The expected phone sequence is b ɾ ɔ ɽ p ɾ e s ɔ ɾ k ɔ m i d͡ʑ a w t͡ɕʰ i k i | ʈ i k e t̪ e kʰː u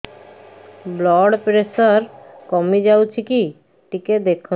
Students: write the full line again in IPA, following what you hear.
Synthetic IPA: b l ɔ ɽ p ɾ e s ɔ ɾ k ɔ m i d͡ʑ a w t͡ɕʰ i k i | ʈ i k e d̪ e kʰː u